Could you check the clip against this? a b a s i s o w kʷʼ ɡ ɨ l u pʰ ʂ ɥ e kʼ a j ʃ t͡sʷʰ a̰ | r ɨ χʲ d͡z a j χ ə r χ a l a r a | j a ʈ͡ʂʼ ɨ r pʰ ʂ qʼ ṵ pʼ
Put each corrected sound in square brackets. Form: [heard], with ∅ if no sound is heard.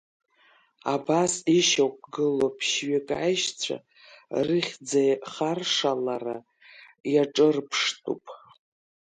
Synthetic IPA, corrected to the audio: a b a s i [ʃ] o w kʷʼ ɡ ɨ l [o] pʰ [ʃ] ɥ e kʼ a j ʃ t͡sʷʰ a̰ | r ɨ χʲ d͡z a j χ [a] r [ʂ] a l a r a | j a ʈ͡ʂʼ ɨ r pʰ ʂ [tʼ] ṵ pʼ